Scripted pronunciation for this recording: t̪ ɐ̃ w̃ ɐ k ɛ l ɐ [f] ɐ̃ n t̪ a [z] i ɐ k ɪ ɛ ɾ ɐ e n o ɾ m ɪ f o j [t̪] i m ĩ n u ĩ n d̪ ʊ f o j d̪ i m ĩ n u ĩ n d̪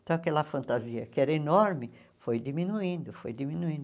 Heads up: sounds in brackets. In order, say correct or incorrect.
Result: correct, correct, incorrect: d̪

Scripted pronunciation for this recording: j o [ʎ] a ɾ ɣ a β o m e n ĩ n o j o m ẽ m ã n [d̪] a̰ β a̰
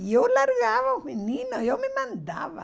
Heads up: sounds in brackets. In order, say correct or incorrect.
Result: incorrect: l, correct

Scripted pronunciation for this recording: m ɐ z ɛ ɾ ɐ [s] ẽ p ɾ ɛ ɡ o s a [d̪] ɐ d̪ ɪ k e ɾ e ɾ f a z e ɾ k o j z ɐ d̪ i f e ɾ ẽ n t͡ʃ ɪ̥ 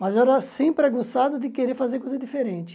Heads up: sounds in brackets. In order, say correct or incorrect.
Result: correct, correct

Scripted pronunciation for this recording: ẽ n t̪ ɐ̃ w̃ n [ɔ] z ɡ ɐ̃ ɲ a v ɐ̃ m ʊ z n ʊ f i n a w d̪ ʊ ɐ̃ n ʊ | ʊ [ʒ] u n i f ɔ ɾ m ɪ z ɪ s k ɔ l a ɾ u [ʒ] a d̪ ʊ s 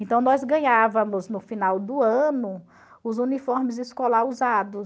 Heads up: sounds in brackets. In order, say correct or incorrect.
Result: correct, incorrect: z, incorrect: z

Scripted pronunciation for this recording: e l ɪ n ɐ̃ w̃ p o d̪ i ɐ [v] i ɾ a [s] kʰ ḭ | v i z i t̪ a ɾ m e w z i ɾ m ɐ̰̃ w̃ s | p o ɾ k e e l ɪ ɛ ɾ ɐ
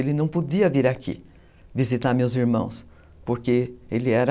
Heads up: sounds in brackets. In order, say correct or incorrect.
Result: correct, incorrect: none

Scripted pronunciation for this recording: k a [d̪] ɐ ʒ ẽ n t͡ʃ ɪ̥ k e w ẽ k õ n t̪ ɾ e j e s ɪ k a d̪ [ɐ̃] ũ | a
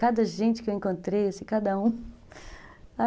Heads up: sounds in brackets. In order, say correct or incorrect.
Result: correct, incorrect: ɐ

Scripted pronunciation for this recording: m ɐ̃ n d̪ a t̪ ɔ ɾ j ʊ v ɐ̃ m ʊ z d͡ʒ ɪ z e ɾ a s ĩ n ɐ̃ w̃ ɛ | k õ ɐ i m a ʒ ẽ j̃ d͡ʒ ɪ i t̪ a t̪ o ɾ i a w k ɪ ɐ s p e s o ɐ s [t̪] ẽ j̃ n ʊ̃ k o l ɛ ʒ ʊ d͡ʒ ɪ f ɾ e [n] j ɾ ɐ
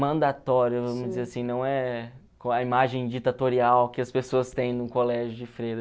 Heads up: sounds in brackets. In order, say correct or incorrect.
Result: correct, incorrect: none

